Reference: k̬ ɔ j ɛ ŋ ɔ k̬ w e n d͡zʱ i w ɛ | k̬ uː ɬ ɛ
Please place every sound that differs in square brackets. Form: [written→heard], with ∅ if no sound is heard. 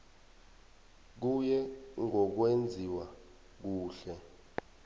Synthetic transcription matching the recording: k̬ [ɔ→u] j ɛ ŋ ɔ k̬ w e n d͡zʱ i w [ɛ→a] | k̬ uː ɬ ɛ